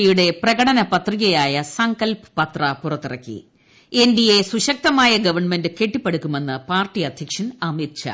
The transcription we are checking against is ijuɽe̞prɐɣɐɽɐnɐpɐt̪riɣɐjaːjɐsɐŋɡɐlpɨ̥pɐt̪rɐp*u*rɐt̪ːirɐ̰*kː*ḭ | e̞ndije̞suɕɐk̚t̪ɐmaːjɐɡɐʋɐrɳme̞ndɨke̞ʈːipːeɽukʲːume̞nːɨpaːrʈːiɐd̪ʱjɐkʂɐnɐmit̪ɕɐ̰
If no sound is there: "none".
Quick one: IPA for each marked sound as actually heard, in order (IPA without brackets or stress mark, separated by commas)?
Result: u, kː